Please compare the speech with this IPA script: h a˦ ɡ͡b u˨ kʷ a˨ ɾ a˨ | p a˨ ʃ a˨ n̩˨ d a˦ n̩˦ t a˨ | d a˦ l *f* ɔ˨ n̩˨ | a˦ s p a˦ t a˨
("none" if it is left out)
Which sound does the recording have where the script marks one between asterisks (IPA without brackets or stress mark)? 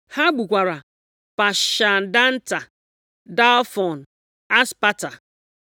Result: f